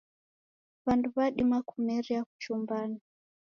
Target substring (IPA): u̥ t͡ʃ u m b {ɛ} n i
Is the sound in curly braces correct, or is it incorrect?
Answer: incorrect